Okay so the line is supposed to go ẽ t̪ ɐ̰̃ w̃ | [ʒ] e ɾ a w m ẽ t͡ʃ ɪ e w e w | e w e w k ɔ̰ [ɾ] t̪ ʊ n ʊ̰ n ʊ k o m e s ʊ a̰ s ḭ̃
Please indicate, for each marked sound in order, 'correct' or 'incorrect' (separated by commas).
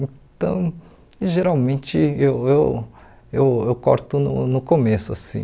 correct, correct